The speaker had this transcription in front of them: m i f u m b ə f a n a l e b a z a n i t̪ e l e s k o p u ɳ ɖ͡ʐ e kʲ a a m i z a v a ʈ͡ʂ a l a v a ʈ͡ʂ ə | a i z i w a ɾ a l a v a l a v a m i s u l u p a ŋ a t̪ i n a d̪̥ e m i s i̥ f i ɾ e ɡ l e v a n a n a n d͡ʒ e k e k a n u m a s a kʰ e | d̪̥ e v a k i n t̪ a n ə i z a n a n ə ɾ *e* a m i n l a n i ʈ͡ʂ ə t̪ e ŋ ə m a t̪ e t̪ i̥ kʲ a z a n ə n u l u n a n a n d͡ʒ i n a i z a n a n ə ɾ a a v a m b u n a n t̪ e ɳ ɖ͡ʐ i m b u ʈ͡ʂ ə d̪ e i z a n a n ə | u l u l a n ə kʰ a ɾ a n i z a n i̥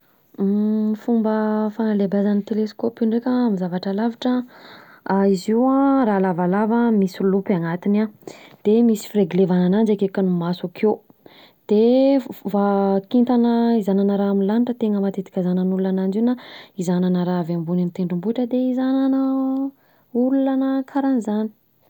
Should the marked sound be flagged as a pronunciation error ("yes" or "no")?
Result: yes